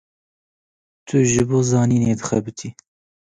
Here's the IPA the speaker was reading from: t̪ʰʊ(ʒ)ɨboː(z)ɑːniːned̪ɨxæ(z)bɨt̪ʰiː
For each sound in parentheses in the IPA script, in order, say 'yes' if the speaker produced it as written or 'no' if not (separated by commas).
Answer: yes, yes, no